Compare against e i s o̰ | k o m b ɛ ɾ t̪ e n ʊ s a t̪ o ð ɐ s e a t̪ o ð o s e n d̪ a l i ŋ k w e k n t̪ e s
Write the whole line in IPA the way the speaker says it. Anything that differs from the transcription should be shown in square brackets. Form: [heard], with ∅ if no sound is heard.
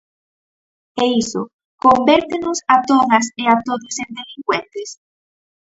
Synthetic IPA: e i s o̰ | k o m b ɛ ɾ t̪ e n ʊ s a t̪ o ð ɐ s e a t̪ o ð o s e n d̪ [e] l i ŋ k w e [∅] n t̪ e s